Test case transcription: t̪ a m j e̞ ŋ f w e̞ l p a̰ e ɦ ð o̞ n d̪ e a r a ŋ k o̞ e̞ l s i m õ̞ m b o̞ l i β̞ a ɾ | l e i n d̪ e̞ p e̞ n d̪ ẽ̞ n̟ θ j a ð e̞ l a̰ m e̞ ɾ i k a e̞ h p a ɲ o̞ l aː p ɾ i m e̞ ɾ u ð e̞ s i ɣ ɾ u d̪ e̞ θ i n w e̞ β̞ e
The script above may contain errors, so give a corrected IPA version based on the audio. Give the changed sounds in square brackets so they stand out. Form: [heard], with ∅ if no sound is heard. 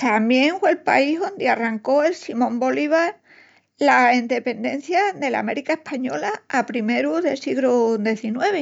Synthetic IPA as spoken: t̪ a m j e̞ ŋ f w e̞ l p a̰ [i] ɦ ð o̞ n d̪ e a r a ŋ k o̞ e̞ l s i m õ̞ m b o̞ l i β̞ a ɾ | l [a] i n d̪ e̞ p e̞ n d̪ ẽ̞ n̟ θ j a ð e̞ l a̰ m e̞ ɾ i k a e̞ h p a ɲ o̞ l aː p ɾ i m e̞ ɾ u ð e̞ s i ɣ [l] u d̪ e̞ θ i n w e̞ β̞ e